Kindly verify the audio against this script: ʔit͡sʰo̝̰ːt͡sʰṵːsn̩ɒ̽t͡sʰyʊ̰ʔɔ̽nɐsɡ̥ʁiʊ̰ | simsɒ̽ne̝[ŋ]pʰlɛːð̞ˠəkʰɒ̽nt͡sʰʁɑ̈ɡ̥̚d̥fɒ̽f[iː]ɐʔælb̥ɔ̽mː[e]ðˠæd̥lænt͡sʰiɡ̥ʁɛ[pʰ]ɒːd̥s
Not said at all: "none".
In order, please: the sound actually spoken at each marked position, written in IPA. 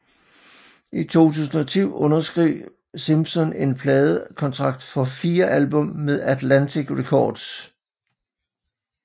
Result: n, iː, e, kʰ

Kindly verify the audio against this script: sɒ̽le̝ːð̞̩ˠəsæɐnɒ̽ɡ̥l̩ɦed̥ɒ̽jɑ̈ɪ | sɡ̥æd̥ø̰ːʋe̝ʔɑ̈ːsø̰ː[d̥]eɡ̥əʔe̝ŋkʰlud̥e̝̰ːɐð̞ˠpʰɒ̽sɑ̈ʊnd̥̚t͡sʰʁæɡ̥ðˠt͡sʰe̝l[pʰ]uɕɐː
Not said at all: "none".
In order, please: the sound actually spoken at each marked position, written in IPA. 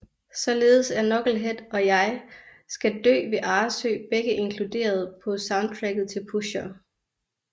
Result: b̥, pʰ

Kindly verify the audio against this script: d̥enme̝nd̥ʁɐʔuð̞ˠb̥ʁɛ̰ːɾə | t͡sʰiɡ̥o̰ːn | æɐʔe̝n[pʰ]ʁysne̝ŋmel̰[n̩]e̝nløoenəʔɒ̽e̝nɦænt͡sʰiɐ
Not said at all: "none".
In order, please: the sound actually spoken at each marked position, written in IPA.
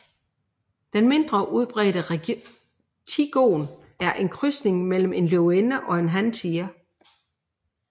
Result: kʰ, m̩

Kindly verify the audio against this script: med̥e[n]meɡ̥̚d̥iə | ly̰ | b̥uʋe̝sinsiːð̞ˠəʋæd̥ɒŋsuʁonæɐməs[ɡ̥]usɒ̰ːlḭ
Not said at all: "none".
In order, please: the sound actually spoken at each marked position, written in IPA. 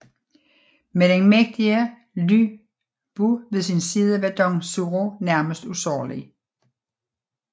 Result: n, d̥

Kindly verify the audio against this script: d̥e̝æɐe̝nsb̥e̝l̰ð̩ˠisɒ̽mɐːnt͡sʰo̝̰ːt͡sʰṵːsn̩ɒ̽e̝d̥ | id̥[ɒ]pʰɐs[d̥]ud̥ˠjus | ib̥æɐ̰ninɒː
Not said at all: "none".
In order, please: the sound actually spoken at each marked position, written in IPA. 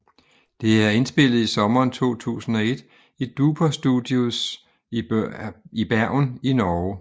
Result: u, d̥

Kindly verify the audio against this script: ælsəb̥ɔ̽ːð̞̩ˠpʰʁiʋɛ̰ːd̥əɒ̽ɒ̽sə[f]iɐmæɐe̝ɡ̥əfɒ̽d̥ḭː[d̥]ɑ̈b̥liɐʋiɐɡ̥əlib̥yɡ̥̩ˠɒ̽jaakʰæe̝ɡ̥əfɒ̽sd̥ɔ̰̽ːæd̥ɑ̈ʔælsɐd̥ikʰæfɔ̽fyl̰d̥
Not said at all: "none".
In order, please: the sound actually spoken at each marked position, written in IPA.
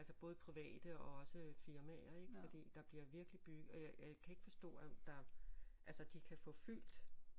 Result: f, d̥

